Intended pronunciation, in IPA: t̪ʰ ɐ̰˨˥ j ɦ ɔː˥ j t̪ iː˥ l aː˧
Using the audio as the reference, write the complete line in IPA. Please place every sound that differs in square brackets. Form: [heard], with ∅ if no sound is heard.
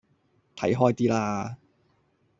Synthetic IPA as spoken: t̪ʰ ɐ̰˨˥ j ɦ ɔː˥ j t̪ iː˥ l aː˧